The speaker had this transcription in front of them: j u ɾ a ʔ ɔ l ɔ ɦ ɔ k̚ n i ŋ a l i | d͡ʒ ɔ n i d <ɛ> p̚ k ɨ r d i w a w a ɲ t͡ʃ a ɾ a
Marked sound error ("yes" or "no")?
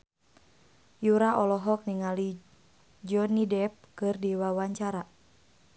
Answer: no